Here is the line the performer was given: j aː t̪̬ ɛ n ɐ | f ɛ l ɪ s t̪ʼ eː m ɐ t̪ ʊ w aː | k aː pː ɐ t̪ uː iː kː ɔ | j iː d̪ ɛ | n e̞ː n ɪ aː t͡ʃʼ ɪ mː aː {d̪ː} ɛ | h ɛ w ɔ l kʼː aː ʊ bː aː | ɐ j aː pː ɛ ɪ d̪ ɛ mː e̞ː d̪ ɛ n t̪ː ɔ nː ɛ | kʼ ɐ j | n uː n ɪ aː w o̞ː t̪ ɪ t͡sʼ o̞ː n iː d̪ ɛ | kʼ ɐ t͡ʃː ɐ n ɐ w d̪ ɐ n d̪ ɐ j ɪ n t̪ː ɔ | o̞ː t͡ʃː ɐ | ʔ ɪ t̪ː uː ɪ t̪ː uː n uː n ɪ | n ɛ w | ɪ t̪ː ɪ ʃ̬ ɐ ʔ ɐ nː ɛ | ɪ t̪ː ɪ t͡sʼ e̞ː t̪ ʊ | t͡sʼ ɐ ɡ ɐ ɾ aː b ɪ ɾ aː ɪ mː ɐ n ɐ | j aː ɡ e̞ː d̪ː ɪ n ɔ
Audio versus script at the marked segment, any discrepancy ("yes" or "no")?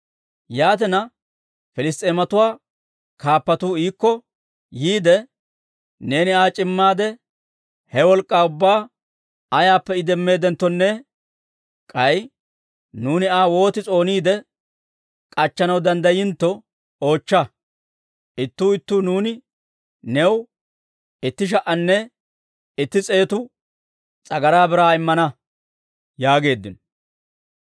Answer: yes